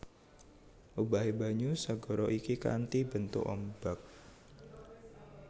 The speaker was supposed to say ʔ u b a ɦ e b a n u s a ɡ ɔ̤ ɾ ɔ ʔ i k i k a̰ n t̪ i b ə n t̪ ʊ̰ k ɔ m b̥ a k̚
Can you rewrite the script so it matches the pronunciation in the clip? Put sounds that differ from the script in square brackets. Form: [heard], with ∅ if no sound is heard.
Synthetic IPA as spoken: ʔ u b a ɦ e b a [ɲ] u s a ɡ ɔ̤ ɾ ɔ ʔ i k i k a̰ n t̪ i b ə n t̪ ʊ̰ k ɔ m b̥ a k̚